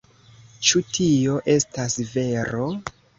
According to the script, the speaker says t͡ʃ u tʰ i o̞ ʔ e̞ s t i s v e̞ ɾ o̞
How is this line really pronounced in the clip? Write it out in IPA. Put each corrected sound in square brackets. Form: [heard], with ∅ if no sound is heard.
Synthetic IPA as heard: t͡ʃ u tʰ i o̞ ʔ e̞ s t [a] s v e̞ ɾ o̞